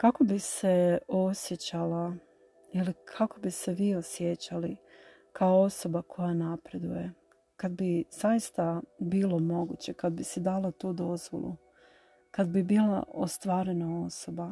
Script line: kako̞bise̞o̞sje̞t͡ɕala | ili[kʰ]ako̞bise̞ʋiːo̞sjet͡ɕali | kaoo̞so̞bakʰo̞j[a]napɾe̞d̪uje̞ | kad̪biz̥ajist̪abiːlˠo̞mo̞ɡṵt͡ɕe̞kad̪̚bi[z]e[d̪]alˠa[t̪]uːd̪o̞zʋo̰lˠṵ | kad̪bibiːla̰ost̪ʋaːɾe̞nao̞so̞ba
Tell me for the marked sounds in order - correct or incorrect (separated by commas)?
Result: correct, correct, incorrect, correct, correct